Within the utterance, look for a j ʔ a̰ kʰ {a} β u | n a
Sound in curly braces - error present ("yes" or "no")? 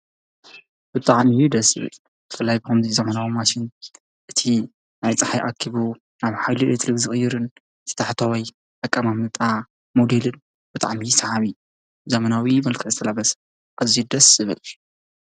yes